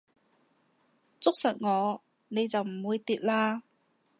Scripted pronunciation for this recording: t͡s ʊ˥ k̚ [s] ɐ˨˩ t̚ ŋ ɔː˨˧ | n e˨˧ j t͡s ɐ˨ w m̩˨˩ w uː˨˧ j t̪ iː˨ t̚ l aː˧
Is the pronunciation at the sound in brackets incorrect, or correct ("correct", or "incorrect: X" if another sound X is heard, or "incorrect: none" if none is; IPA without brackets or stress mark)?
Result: correct